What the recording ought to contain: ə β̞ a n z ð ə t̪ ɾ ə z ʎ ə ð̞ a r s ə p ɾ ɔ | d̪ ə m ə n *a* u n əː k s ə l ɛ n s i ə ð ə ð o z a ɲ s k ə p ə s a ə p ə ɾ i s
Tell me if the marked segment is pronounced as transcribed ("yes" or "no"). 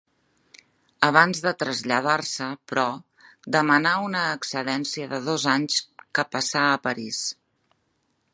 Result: yes